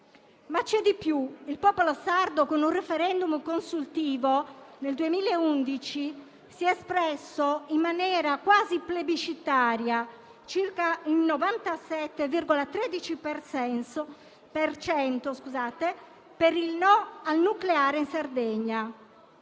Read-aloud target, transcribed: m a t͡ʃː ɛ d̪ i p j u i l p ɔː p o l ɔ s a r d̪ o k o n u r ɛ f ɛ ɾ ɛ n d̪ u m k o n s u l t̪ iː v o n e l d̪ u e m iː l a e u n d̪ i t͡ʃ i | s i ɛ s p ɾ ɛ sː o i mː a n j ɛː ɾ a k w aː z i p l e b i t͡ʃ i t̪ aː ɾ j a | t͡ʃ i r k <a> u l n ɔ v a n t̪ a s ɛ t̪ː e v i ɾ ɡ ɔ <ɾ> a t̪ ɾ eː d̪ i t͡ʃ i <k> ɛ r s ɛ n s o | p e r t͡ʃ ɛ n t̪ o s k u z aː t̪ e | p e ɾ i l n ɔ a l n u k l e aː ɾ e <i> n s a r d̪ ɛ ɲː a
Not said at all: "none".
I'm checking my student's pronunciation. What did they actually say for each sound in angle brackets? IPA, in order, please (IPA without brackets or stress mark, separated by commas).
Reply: a, l, p, i